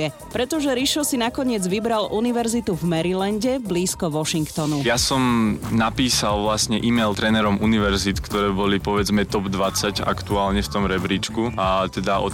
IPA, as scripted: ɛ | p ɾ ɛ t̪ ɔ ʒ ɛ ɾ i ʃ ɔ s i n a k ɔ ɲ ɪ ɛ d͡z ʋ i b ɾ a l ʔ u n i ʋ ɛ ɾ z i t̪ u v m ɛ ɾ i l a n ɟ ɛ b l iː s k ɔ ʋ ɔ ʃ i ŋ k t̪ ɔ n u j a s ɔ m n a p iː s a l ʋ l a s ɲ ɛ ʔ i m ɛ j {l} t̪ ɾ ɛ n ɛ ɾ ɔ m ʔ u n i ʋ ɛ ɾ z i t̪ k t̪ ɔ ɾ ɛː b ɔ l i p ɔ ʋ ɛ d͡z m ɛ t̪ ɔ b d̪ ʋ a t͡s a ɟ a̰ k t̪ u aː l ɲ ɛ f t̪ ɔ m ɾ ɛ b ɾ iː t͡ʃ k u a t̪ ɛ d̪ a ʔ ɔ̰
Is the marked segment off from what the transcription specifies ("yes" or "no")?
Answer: no